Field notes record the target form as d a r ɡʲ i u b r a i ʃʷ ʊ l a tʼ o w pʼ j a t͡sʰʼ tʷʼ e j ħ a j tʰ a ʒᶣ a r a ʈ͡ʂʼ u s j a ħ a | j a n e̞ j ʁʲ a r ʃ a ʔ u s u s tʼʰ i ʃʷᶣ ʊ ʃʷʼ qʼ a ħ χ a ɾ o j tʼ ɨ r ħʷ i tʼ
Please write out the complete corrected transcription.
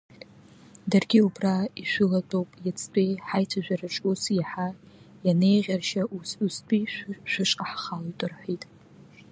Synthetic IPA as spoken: d a r ɡʲ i u b r a i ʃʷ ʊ l a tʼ o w pʼ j a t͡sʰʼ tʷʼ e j ħ a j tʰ a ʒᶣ a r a ʈ͡ʂʼ u s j a ħ a | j a n e̞ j ʁʲ a r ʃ a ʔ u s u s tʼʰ i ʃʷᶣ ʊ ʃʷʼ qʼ a ħ χ a l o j tʼ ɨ r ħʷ i tʼ